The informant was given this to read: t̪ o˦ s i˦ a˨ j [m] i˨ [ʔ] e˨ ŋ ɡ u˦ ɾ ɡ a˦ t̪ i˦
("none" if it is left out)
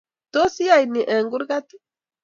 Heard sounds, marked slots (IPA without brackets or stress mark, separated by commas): n, ʔ